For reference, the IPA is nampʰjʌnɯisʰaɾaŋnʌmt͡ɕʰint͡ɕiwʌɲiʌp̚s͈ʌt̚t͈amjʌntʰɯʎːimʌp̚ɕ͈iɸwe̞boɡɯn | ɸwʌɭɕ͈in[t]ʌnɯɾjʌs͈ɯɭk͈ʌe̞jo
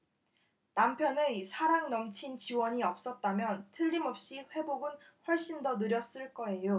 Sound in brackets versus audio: incorrect: d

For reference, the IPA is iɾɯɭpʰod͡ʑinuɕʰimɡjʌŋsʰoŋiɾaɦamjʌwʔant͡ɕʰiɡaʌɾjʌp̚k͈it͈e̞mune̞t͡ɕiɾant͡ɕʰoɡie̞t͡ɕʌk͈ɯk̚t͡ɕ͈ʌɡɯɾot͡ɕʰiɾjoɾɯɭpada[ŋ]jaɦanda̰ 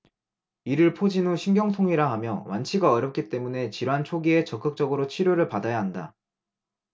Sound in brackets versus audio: incorrect: none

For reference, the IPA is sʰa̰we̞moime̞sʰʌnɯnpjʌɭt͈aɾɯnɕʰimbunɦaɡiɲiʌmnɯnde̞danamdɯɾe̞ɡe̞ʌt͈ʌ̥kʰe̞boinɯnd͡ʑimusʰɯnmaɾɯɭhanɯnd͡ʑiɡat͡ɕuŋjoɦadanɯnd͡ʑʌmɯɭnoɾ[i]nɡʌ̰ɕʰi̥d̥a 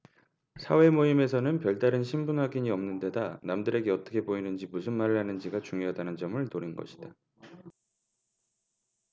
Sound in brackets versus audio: correct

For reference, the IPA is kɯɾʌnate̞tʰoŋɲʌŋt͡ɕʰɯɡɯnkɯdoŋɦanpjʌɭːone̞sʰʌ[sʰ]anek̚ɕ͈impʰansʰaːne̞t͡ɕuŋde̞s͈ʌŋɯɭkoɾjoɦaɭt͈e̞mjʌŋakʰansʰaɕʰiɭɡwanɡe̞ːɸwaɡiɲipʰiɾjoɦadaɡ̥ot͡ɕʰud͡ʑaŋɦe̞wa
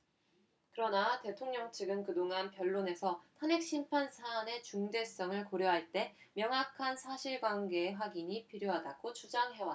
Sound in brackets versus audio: incorrect: tʰ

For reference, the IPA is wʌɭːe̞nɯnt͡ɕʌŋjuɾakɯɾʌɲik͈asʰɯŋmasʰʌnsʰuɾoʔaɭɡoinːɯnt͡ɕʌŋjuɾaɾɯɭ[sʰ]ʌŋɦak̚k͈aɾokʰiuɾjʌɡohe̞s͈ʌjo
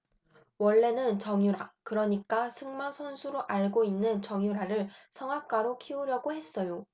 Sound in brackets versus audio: correct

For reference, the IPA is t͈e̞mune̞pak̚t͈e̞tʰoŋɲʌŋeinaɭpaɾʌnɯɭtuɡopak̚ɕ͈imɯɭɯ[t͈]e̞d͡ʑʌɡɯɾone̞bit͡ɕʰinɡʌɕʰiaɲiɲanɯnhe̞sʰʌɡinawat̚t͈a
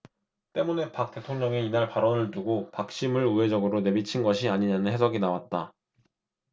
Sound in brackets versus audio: incorrect: none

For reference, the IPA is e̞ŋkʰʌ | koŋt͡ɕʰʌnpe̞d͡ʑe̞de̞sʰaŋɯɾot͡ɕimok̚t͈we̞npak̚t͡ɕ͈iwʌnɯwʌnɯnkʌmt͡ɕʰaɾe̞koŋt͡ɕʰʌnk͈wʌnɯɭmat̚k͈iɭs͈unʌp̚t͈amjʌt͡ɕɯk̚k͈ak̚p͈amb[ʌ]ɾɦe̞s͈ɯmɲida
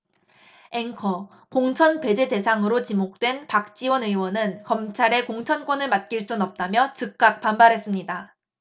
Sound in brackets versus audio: incorrect: a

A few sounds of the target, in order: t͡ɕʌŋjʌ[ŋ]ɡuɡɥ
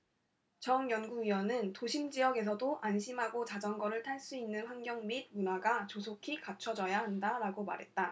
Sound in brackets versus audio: incorrect: n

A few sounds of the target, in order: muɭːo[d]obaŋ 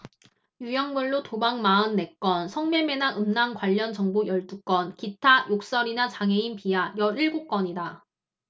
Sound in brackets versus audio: incorrect: t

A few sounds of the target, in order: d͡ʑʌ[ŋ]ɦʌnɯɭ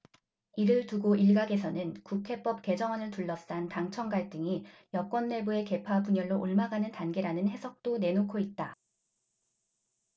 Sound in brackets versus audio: correct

